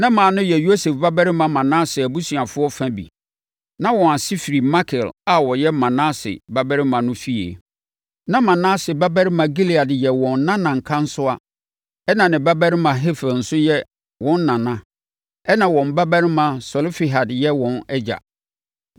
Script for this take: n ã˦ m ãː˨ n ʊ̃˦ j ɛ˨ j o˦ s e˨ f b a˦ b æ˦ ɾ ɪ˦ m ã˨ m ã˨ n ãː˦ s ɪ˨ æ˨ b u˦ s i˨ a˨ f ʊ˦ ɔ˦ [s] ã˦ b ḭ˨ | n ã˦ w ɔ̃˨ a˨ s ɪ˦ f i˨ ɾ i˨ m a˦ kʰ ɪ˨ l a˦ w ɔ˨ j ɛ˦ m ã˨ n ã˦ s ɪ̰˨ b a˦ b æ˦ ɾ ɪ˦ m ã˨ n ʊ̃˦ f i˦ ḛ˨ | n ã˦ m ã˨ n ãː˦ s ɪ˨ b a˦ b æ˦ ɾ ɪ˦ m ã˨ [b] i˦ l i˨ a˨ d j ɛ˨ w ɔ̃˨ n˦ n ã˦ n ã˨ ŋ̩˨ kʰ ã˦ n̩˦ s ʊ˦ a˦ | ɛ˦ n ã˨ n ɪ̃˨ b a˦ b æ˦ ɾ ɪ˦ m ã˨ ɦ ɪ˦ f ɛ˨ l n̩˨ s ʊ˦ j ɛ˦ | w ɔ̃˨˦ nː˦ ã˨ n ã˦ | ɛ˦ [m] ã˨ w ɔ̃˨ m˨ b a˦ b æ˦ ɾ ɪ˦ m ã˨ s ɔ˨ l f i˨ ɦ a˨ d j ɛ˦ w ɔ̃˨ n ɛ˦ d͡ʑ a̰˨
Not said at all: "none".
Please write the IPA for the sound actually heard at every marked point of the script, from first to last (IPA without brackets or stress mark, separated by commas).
f, ɡ, n